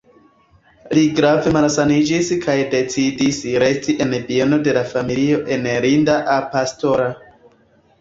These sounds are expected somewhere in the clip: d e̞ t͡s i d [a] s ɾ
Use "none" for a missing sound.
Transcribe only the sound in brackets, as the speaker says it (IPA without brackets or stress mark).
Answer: i